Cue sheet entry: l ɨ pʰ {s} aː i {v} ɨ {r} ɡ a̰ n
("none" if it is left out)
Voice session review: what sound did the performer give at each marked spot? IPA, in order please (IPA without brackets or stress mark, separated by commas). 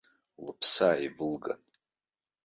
s, v, l